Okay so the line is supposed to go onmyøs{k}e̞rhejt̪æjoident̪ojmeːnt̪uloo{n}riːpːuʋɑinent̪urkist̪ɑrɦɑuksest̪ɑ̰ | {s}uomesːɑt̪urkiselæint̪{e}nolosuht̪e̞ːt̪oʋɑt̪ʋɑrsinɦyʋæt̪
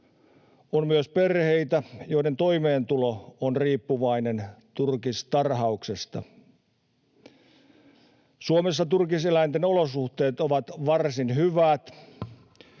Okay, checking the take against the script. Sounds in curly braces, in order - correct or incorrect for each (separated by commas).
incorrect, correct, correct, correct